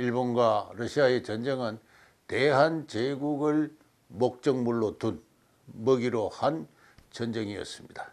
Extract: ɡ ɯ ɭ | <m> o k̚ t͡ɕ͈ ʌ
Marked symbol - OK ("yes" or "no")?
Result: yes